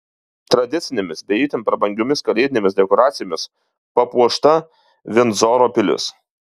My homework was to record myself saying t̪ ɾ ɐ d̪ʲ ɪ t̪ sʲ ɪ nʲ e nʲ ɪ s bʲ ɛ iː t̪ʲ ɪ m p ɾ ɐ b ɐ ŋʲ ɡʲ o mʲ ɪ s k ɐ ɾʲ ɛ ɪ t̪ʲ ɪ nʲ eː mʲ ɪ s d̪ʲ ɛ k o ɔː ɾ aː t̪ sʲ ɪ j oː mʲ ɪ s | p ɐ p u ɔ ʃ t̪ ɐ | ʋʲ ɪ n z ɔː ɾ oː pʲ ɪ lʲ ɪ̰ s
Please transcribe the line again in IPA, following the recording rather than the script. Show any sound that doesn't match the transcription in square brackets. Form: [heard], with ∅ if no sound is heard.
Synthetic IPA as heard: t̪ ɾ ɐ d̪ʲ ɪ t̪ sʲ ɪ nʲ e [mʲ] ɪ s bʲ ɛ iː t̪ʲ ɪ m p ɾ ɐ b ɐ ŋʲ ɡʲ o mʲ ɪ s k ɐ [lʲ] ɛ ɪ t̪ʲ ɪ nʲ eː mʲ ɪ s d̪ʲ ɛ k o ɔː ɾ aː t̪ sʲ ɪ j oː mʲ ɪ s | p ɐ p u ɔ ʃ t̪ ɐ | ʋʲ ɪ n z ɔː ɾ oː pʲ ɪ lʲ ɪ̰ s